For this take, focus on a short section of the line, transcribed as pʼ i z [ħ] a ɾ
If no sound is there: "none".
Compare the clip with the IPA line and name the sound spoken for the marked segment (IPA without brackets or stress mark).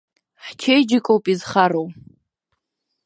χ